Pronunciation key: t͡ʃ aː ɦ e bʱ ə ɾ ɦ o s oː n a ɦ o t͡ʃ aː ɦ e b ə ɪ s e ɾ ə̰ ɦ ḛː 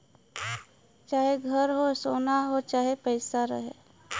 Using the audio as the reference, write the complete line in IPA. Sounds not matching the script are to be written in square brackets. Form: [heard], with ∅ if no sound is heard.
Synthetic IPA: t͡ʃ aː ɦ e [ɡʱ] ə ɾ ɦ o s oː n a ɦ o t͡ʃ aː ɦ e [p] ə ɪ s [a] ɾ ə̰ ɦ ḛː